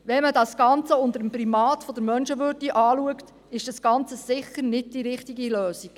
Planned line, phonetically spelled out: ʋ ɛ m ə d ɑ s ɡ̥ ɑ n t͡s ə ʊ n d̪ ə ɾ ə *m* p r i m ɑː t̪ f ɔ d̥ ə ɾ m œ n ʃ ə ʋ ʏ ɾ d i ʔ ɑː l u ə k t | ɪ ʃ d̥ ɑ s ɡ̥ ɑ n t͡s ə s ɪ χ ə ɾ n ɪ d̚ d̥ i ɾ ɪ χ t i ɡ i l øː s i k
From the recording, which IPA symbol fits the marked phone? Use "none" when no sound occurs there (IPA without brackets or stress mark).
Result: m